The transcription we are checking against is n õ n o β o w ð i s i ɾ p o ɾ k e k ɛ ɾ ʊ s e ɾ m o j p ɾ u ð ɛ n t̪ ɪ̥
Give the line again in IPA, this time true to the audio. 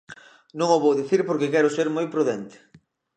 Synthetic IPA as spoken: n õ ŋ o β o w ð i θ i ɾ p o ɾ k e k ɛ ɾ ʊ s e ɾ m o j p ɾ u ð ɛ n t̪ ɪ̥